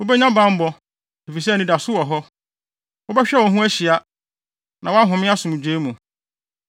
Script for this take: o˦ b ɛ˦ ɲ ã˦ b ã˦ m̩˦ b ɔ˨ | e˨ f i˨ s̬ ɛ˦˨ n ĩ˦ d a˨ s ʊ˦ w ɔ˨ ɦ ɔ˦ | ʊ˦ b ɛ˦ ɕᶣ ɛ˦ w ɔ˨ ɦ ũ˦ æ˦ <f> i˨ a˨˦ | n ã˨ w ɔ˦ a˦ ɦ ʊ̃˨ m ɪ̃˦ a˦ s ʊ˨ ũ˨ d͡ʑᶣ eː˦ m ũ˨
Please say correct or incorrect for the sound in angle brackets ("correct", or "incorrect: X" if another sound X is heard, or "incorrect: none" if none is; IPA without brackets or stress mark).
incorrect: ɕ